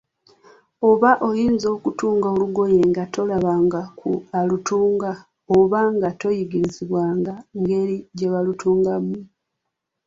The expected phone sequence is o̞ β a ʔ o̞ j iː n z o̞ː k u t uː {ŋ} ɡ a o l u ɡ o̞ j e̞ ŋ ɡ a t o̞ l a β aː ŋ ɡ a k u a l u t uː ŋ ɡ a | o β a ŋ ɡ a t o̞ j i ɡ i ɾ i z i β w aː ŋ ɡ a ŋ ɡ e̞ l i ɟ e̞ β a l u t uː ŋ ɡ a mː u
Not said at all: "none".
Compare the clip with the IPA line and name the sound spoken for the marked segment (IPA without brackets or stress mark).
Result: ŋ